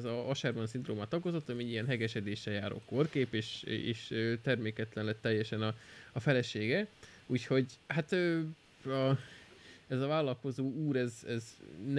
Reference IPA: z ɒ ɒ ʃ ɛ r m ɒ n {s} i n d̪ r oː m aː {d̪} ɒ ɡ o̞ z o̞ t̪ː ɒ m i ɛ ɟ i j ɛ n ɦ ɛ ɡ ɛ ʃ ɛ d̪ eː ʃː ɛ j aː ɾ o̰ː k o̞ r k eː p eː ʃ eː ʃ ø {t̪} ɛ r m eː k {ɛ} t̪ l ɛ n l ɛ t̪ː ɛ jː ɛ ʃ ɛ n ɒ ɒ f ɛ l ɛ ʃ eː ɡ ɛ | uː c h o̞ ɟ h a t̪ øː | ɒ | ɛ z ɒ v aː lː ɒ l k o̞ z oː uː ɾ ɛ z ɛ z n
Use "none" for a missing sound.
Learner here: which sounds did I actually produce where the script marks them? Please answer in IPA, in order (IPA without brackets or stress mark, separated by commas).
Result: s, t̪, t̪, ɛ